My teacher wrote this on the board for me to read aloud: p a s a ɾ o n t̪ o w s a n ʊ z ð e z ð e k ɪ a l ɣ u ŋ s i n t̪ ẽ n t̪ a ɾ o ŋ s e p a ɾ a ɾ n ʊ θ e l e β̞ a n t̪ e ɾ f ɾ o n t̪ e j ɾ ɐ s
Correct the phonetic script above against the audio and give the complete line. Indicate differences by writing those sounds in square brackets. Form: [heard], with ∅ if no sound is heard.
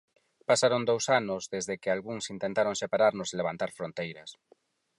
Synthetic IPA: p a s a ɾ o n [d̪] o w s a n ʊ z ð e z ð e k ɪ a l ɣ u ŋ s i n t̪ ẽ n t̪ a ɾ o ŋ s e p a ɾ a ɾ n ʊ [s] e l e β̞ a n t̪ [a] ɾ f ɾ o n t̪ e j ɾ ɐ s

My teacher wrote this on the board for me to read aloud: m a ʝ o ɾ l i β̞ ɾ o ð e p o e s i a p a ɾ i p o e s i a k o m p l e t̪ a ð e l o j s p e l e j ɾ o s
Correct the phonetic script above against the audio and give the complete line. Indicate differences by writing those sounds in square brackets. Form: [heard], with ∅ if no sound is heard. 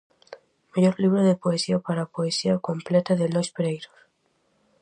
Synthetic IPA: m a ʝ o ɾ l i β̞ ɾ o ð e p o e s i a p a ɾ [a] p o e s i a k o m p l e t̪ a ð e l o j s p e [ɾ] e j ɾ o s

